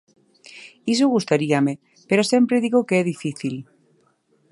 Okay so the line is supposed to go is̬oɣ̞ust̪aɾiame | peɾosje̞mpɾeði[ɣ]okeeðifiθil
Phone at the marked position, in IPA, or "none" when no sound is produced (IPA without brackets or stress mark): ɣ